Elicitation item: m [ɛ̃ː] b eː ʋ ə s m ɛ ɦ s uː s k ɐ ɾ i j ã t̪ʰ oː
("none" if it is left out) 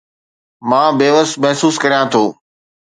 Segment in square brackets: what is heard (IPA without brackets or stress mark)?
ãː